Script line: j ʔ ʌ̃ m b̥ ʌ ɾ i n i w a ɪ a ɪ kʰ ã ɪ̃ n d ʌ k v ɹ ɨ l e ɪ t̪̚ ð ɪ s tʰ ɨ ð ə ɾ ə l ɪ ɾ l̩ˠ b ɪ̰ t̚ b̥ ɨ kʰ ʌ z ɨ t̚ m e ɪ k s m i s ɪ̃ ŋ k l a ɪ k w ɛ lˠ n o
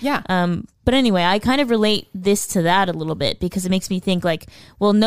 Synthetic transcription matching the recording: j ʔ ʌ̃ m b̥ ʌ ɾ ɛ n i w e ɪ a ɪ kʰ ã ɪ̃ n d ʌ v ɹ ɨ l e ɪ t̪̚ ð ɪ s tʰ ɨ ð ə ɾ ə l ɪ ɾ l̩ˠ b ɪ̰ t̚ b̥ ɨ kʰ ʌ z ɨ t̚ m e ɪ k s m i θ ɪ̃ ŋ k l a ɪ k w ɛ lˠ n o